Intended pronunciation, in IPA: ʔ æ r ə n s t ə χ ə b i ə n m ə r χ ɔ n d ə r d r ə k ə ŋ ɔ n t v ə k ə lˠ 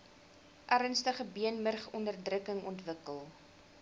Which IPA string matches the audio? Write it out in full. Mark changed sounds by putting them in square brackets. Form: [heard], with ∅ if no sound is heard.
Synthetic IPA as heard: ʔ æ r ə n s t ə χ ə b i ə n m ə r χ ɔ n d ə r d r ə k ə ŋ ɔ n t v ə k ə lˠ